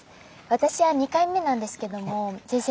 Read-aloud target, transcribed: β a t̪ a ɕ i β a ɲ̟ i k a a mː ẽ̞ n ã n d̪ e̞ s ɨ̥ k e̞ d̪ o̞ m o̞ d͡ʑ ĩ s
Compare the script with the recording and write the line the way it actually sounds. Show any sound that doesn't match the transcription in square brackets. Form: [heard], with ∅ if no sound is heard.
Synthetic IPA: β a t̪ a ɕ i β a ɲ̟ i k a [i] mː [e̞] n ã n d̪ e̞ s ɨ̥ k e̞ d̪ o̞ m o̞ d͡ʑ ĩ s